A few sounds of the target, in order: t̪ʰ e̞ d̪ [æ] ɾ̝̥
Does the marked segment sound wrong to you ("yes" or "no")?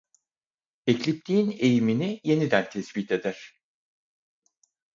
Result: no